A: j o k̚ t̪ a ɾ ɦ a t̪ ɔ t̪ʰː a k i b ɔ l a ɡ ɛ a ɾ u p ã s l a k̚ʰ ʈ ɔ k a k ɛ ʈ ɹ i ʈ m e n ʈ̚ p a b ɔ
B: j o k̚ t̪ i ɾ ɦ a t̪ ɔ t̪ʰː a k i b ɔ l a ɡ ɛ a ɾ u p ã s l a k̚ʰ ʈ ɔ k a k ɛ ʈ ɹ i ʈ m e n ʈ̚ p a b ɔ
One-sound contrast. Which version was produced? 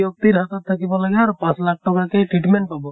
B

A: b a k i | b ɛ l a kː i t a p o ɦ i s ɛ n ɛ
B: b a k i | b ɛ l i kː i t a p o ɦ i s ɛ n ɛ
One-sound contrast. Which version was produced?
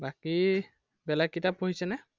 A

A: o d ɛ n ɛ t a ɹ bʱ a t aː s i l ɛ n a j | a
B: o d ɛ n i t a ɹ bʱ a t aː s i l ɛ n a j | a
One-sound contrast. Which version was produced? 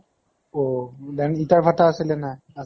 B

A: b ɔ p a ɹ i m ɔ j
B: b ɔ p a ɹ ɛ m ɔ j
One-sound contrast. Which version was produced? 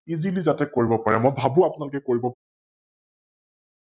B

